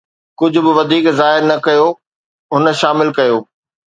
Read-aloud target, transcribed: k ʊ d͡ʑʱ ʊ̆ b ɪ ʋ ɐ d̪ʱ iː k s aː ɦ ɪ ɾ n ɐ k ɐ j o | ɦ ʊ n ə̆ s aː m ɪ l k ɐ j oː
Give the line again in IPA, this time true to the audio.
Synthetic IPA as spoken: k ʊ d͡ʑʱ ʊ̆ b ɪ ʋ ɐ d̪ʱ iː k z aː ɦ ɪ ɾ n ɐ k ɐ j o | ɦ ʊ n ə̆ ʃ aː m ɪ l k ɐ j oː